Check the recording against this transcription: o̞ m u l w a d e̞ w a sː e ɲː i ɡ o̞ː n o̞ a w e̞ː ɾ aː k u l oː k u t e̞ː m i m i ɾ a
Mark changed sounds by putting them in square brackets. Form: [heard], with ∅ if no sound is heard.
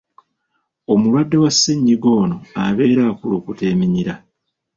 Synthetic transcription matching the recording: o̞ m u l w a [dː] e̞ w a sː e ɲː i ɡ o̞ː n o̞ a [β] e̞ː ɾ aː k u l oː k u t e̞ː m i [ɲ] i ɾ a